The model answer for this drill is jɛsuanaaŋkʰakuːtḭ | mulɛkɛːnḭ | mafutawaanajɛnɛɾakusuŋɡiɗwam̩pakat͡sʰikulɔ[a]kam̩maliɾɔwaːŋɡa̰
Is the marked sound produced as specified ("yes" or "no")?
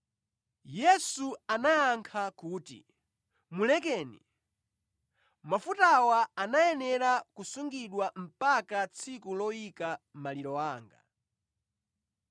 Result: no